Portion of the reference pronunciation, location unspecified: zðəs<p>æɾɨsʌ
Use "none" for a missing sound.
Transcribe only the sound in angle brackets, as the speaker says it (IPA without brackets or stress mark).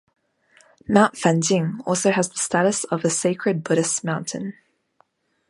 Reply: t